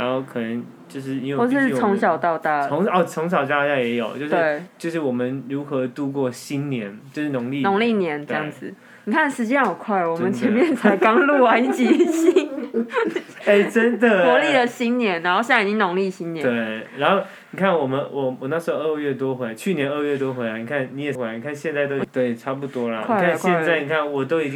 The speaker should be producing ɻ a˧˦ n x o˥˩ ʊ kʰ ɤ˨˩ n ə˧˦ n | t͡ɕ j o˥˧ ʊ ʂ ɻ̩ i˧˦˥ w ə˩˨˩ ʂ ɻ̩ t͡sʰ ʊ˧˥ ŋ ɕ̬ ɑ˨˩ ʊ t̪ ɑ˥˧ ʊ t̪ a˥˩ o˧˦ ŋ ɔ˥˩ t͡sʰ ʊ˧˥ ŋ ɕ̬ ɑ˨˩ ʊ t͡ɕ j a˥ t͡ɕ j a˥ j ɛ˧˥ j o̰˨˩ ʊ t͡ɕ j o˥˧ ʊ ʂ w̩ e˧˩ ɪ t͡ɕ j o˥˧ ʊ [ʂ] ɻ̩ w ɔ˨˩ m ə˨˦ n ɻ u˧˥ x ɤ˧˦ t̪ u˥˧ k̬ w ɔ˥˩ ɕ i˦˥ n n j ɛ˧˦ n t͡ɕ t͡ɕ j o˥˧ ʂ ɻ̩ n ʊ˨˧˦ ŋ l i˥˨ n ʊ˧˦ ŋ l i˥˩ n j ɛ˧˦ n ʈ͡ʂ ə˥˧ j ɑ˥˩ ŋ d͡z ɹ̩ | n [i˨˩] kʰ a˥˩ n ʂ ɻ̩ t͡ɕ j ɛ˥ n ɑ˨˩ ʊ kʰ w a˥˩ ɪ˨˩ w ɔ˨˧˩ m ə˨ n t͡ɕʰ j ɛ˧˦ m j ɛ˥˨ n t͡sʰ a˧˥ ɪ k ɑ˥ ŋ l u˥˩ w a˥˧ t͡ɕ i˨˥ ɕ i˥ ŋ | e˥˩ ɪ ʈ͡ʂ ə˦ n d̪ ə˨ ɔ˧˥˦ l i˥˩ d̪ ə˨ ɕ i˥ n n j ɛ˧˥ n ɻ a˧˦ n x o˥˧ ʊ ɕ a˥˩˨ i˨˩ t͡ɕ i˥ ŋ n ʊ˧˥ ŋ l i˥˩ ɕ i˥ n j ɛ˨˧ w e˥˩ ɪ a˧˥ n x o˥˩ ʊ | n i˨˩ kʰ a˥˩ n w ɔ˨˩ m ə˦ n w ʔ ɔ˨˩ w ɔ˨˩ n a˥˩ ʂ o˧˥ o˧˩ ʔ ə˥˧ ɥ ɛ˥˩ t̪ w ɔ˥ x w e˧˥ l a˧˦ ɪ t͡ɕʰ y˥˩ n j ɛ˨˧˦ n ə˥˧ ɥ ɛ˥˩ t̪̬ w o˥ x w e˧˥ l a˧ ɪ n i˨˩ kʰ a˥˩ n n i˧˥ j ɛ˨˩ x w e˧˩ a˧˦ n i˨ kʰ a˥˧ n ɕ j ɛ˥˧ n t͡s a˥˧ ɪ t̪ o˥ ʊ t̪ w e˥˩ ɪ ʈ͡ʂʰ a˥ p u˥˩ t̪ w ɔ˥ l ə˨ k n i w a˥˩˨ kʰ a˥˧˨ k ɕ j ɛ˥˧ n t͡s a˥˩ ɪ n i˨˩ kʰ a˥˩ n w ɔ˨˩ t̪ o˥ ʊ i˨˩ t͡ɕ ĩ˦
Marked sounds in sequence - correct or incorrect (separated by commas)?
correct, correct